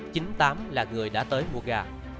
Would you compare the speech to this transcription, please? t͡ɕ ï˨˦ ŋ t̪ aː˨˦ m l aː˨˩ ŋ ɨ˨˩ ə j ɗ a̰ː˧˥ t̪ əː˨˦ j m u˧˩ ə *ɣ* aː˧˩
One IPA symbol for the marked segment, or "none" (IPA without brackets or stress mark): ɣ